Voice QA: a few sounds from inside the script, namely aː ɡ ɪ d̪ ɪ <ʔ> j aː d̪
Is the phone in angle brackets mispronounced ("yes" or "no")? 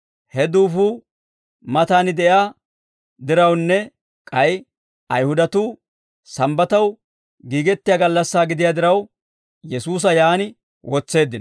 yes